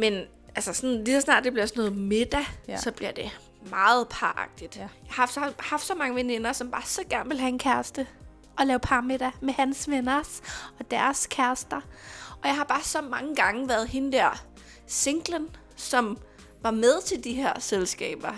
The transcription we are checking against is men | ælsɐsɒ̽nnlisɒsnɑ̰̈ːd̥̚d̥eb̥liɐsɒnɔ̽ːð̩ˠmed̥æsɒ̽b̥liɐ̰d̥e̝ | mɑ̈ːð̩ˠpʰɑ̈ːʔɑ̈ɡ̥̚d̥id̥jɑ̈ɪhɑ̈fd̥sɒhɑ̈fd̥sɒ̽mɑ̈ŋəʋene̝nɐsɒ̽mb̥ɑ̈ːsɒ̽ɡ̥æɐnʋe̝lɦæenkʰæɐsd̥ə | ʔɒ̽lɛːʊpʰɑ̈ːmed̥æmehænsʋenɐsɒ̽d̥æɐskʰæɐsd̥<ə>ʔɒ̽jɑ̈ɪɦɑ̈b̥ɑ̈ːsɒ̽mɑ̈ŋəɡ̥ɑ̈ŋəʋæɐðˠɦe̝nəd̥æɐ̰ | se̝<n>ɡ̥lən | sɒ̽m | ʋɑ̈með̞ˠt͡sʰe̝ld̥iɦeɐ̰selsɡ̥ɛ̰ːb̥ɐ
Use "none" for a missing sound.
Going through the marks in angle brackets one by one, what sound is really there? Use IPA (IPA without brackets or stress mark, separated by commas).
ɐ, ŋ